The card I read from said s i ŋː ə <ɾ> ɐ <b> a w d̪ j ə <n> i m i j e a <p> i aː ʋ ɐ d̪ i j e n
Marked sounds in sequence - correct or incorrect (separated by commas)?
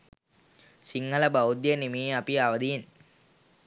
incorrect, correct, correct, correct